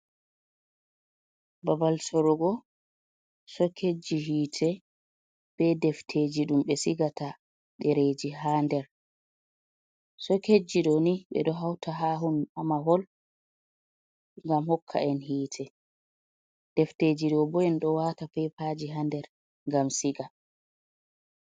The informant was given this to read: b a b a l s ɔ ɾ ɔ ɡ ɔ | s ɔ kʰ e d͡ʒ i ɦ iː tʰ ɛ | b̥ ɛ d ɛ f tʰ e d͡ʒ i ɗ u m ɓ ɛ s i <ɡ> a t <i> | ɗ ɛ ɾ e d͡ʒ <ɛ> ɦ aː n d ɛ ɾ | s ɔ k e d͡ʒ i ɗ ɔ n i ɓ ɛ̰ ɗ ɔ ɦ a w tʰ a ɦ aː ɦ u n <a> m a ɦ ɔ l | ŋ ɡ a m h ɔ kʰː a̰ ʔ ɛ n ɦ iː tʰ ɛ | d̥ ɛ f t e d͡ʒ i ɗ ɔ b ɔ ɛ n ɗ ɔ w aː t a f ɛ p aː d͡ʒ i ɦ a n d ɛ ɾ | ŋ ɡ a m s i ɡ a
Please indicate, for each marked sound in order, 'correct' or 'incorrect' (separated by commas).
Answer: correct, incorrect, incorrect, correct